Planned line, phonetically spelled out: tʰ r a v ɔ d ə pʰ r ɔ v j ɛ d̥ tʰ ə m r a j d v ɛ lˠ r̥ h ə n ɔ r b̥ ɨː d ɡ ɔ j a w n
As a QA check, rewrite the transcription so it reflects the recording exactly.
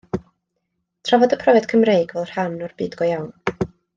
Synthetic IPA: tʰ r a v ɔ d ə pʰ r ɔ v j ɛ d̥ kʰ ə m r e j ɡ v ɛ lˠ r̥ h a n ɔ r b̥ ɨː d ɡ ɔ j a w n